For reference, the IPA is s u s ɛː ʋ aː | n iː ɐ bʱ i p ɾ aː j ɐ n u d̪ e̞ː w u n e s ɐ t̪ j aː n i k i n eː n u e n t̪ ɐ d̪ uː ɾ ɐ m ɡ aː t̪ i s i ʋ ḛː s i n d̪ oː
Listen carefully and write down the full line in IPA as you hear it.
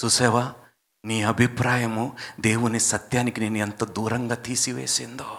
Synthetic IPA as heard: s u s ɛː ʋ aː | n iː ɐ bʱ i p ɾ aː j ɐ m u d̪ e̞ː w u n i s ɐ t̪ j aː n i k i n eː n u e n t̪ ɐ d̪ uː ɾ ɐ ŋ ɡ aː t̪ iː s i ʋ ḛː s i n d̪ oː